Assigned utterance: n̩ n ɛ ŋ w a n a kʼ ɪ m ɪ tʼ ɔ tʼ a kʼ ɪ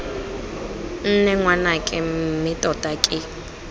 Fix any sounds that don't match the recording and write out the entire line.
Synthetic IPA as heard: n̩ n ɛ ŋ w a n a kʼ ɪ m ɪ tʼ ɔ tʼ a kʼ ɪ